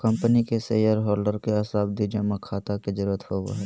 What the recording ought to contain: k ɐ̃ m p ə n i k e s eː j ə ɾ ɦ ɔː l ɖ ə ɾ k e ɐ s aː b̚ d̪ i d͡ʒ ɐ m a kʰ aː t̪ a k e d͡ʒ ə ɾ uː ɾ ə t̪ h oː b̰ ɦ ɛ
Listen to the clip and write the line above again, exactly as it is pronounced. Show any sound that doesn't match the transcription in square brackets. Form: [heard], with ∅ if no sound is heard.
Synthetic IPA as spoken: k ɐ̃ m p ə n i k e s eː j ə ɾ ɦ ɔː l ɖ ə ɾ k e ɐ s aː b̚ d̪ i d͡ʒ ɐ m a kʰ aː t̪ a k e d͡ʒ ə ɾ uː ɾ ə t̪ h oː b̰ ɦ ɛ